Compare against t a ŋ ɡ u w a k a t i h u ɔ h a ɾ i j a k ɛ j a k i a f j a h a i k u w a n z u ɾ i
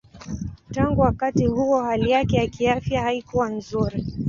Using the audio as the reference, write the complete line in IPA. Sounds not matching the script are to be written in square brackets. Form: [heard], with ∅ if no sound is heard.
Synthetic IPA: t a ŋ ɡ u w a k a t i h u ɔ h a [l] i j a k ɛ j a k i a f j a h a i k u w a n z u ɾ i